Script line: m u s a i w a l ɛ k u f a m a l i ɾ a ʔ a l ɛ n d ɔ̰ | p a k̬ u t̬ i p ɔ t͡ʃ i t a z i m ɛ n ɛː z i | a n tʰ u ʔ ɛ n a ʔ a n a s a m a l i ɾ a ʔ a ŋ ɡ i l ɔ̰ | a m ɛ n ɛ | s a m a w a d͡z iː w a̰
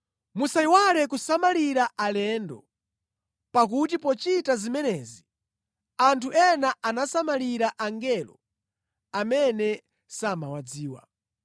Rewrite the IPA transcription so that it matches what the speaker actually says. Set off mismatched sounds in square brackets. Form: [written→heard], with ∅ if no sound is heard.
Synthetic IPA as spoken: m u s a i w a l ɛ k u [f→s] a m a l i ɾ a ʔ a l ɛ n d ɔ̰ | p a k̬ u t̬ i p ɔ t͡ʃ i t a z i m ɛ n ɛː z i | a n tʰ u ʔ ɛ n a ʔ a n a s a m a l i ɾ a ʔ a ŋ ɡ [i→ɛ] l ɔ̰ | a m ɛ n ɛ | s a m a w a d͡z iː w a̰